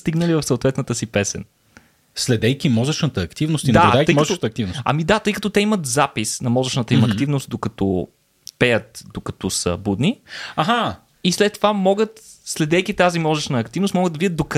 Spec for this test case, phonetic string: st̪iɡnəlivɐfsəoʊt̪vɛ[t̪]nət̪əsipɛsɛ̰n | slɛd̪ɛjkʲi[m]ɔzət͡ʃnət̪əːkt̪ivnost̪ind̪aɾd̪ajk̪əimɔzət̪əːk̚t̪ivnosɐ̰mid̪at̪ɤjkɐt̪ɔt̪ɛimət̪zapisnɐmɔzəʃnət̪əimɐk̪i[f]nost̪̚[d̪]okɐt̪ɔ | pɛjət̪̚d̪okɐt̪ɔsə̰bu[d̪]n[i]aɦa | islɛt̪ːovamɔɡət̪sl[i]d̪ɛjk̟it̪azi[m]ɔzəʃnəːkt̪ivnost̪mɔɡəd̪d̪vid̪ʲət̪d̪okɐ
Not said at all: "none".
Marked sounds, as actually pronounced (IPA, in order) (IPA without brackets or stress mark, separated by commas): t̪, m, v, d̪, d̪, i, ɛ, m